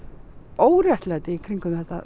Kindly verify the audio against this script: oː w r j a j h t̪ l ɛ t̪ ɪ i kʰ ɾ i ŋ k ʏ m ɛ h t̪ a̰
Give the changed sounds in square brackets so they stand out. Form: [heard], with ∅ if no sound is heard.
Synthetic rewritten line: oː w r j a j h t̪ l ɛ t̪ ɪ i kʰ ɾ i ŋ k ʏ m ɛ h t̪ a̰